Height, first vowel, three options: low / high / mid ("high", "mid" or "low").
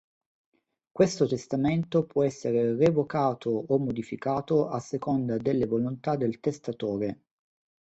mid